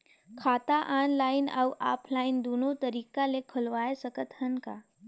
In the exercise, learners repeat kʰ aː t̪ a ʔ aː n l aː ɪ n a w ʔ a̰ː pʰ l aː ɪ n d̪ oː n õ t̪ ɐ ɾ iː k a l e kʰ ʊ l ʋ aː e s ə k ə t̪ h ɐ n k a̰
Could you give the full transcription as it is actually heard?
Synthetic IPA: kʰ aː t̪ a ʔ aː n l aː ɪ n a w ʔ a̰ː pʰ l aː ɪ n d̪ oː n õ t̪ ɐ ɾ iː k a l e kʰ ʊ l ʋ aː e s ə k ə t̪ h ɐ n k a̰